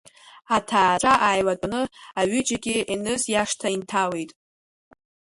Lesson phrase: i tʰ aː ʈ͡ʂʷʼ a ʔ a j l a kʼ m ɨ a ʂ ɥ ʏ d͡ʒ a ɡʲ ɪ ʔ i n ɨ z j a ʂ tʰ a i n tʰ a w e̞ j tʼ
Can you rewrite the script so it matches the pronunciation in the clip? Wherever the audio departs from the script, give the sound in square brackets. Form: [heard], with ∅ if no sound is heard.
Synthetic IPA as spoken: [a] tʰ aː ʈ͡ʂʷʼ a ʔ a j l a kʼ [n] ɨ a [∅] ɥ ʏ d͡ʒ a ɡʲ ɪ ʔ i n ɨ z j a ʂ tʰ a i n tʰ a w e̞ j tʼ